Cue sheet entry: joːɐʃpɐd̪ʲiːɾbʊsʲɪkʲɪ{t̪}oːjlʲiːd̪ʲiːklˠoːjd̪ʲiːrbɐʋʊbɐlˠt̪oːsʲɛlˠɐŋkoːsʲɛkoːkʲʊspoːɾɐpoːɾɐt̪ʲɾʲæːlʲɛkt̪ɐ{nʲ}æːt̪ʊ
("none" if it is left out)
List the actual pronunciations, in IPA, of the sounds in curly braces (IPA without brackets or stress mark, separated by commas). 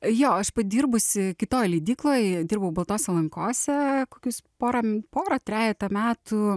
t̪, mʲ